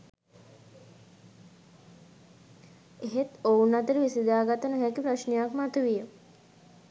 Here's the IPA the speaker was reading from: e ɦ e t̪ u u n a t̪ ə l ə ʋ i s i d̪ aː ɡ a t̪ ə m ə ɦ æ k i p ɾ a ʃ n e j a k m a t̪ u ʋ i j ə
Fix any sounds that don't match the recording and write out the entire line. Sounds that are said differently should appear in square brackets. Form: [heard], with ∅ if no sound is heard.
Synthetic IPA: e ɦ e t̪ [o] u n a t̪ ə [ɾ] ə ʋ i s i d̪ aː ɡ a t̪ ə [n] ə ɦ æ k i p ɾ a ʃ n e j a k m a t̪ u ʋ i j ə